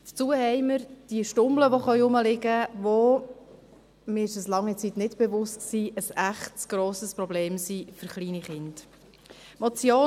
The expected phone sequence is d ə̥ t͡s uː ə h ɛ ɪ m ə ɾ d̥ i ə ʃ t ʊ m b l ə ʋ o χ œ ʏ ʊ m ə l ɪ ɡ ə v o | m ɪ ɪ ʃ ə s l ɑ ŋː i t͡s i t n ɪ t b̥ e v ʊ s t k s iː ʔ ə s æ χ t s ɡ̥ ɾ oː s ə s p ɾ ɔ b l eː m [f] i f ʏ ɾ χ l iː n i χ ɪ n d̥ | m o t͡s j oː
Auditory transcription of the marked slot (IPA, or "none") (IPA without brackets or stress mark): s